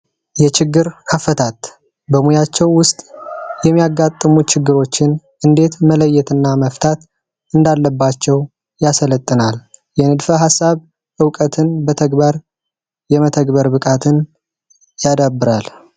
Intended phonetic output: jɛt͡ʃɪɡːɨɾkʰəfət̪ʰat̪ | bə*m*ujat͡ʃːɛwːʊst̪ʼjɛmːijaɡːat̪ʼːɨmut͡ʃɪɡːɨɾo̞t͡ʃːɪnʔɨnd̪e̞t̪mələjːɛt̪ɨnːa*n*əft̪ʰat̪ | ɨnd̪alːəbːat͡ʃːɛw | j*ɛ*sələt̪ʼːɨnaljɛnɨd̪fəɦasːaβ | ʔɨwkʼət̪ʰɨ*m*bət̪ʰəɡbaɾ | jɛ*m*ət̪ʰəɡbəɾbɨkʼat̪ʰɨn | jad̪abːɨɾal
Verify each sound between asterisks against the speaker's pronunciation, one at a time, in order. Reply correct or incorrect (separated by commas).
correct, incorrect, incorrect, incorrect, correct